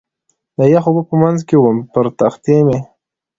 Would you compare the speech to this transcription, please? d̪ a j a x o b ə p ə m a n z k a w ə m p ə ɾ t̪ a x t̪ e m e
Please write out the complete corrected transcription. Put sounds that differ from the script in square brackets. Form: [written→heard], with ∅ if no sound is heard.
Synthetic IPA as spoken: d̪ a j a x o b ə p ə m a n z k [a→e] w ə m p ə ɾ t̪ a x t̪ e m e